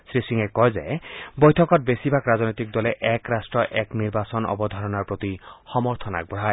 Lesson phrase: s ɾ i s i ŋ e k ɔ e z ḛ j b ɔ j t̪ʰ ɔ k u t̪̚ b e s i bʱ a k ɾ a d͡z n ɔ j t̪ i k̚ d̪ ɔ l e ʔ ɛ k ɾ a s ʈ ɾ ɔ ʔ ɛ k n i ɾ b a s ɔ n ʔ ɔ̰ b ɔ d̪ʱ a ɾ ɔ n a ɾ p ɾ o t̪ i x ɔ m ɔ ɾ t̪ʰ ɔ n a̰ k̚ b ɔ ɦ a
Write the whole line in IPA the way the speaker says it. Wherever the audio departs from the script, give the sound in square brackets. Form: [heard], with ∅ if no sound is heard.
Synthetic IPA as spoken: s ɾ i s i ŋ e k ɔ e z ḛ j b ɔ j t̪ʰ ɔ k [ɔ] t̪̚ b e s i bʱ a k ɾ a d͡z n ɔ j t̪ i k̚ d̪ ɔ l e ʔ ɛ k ɾ a s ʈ ɾ ɔ ʔ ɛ k n i ɾ b a s ɔ n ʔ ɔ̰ b ɔ d̪ʱ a ɾ ɔ n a ɾ p ɾ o t̪ i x ɔ m ɔ ɾ t̪ʰ ɔ n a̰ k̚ b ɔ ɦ a